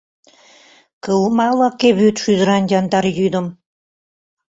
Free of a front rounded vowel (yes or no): no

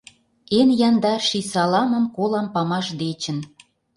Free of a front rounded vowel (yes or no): yes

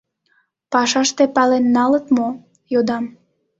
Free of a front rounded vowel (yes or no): yes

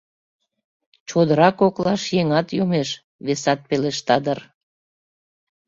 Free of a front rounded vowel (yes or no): yes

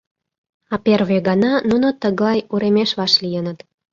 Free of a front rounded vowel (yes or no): yes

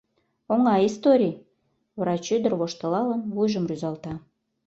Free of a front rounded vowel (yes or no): no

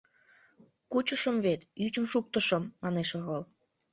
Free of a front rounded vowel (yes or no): no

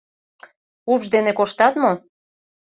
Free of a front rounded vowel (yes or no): yes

